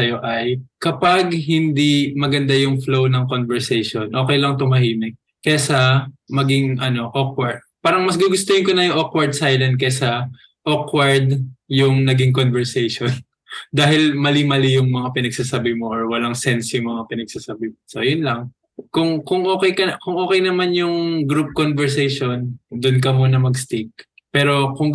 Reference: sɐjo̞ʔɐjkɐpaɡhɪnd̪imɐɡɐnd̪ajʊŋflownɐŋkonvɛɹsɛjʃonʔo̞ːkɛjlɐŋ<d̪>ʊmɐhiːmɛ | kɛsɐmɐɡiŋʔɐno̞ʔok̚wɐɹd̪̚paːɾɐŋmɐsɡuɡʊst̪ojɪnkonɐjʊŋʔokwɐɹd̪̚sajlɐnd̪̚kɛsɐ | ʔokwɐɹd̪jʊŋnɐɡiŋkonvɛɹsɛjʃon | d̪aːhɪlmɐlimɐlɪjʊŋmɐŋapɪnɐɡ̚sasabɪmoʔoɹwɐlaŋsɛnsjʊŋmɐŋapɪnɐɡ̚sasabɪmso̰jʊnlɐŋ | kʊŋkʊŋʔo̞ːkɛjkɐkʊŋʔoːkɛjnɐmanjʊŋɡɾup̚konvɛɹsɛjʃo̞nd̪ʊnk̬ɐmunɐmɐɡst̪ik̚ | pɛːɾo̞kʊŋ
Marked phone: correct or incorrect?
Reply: incorrect